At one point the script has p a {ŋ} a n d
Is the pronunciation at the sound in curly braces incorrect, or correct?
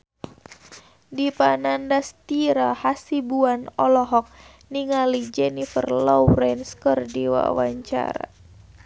incorrect